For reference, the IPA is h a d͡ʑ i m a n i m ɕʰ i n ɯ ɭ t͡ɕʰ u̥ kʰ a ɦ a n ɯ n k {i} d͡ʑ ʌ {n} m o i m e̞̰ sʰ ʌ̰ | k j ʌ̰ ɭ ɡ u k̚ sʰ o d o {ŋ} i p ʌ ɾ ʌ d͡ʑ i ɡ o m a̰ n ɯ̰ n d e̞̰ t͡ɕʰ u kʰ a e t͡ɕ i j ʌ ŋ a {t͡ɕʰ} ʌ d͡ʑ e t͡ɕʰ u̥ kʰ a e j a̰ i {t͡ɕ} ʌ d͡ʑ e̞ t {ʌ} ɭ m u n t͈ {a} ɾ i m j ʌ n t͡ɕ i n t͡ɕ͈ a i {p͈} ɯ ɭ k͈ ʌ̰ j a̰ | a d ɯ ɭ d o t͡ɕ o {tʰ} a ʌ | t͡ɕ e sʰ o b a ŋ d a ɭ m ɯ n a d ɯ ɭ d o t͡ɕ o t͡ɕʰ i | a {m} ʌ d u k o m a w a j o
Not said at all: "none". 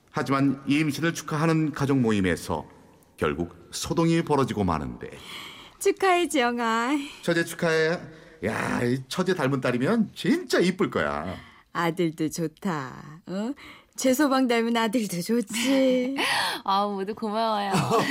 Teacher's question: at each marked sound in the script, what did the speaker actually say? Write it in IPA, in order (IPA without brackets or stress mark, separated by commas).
a, ŋ, ŋ, t͡ɕʰ, t͡ɕʰ, a, a, p͈, tʰ, m